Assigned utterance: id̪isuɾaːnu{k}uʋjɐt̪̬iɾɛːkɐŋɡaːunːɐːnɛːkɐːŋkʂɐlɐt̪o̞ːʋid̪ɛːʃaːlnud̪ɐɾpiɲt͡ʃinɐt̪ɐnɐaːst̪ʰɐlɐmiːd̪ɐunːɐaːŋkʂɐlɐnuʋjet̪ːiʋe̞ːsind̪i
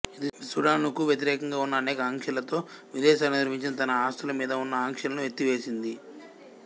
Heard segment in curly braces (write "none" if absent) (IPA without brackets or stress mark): k